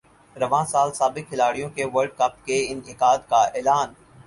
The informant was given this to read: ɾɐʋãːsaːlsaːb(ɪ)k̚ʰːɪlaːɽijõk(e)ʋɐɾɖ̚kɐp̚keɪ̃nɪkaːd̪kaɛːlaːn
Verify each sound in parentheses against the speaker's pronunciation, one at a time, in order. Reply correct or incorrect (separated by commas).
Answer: correct, correct